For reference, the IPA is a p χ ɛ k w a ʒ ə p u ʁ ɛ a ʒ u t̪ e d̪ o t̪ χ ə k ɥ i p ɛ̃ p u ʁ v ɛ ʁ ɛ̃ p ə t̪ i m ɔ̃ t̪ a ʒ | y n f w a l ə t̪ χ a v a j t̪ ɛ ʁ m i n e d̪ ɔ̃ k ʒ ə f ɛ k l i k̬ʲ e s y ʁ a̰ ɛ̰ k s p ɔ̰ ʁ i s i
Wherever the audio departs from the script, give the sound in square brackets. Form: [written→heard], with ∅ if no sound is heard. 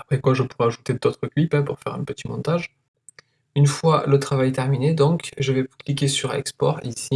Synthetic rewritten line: a p χ ɛ k w a ʒ ə p u ʁ ɛ a ʒ u t̪ e d̪ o t̪ χ ə k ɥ i p ɛ̃ p u ʁ [v→f] ɛ ʁ ɛ̃ p ə t̪ i m ɔ̃ t̪ a ʒ | y n f w a l ə t̪ χ a v a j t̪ ɛ ʁ m i n e d̪ ɔ̃ k ʒ ə [f→v] ɛ k l i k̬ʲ e s y ʁ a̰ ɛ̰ k s p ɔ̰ ʁ i s i